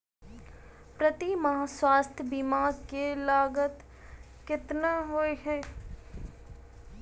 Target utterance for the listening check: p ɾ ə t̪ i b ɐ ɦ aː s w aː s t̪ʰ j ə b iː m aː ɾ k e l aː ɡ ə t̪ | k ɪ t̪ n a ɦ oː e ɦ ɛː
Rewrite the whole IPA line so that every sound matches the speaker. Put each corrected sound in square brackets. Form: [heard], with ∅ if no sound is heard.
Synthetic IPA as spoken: p ɾ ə t̪ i [m] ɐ ɦ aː s w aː s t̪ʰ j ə b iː m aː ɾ k e l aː ɡ ə t̪ | k ɪ t̪ n a ɦ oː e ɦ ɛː